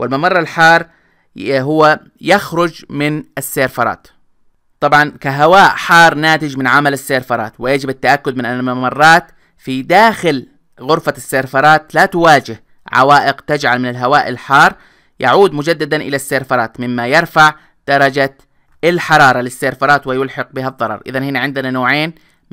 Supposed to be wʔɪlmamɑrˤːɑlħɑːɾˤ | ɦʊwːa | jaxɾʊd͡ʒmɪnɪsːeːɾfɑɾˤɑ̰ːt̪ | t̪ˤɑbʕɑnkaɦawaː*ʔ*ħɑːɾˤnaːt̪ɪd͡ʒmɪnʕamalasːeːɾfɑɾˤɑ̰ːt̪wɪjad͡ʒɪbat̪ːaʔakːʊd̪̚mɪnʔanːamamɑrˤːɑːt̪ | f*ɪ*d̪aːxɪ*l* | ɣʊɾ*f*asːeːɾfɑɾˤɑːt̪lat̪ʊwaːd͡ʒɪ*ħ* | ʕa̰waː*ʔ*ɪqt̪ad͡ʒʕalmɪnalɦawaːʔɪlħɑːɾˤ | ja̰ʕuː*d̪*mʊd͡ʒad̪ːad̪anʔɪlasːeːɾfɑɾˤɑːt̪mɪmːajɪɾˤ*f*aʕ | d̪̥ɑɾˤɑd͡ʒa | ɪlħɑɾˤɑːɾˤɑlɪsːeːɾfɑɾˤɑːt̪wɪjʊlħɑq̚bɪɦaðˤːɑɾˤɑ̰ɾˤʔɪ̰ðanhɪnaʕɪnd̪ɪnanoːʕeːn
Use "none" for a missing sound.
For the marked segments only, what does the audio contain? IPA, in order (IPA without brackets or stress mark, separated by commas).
ʔ, i, l, f, h, ʔ, d̪, f